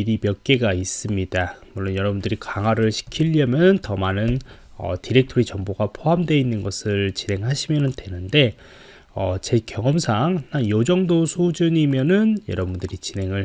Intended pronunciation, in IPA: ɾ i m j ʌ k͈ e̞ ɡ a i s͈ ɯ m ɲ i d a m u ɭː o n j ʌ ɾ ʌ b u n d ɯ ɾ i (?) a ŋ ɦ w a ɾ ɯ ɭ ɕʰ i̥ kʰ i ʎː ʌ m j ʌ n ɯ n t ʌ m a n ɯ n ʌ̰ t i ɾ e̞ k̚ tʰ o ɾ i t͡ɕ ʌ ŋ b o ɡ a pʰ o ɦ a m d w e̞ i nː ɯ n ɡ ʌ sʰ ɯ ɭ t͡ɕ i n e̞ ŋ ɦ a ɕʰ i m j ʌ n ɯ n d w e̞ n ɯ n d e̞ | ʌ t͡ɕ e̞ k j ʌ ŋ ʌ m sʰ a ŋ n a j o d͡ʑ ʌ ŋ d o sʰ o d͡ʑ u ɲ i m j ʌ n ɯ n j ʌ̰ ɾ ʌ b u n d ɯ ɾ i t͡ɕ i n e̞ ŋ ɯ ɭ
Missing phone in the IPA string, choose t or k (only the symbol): k